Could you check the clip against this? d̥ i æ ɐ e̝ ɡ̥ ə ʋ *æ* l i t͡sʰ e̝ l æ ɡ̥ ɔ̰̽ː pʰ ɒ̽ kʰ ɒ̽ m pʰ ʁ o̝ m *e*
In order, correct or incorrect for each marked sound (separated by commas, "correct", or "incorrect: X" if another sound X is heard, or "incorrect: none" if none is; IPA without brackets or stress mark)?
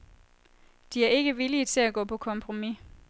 incorrect: i, incorrect: i